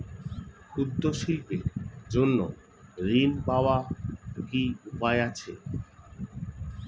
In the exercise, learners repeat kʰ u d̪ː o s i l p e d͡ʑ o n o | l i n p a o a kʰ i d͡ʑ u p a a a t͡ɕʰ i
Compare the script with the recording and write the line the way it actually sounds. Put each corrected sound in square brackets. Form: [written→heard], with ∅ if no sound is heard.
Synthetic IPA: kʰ u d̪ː o [s→ʃ] i l p e d͡ʑ o [n→nː] o | [l→ɾ] i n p a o a [kʰ→k] i [d͡ʑ→∅] u p a [a→e] a t͡ɕʰ [i→e]